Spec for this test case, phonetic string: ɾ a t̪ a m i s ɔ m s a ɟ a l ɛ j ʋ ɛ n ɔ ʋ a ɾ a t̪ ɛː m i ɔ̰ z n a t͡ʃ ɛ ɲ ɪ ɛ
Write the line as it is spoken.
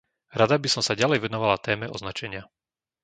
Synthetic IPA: ɾ a d̪ a b i s ɔ m s a ɟ a l ɛ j ʋ ɛ n ɔ ʋ a l a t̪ ɛː m ɛ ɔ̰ z n a t͡ʃ ɛ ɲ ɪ a